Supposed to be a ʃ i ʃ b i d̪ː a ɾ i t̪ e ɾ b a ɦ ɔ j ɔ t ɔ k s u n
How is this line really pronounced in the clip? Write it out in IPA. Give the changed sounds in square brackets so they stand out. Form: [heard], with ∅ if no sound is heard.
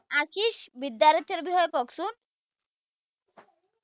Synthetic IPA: a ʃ i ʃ b i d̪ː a ɾ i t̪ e ɾ b [i] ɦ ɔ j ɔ [k] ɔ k s u n